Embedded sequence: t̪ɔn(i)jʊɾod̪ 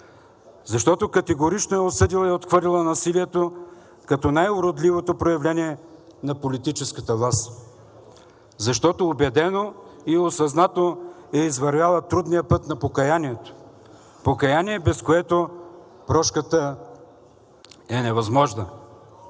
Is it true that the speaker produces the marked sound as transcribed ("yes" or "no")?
no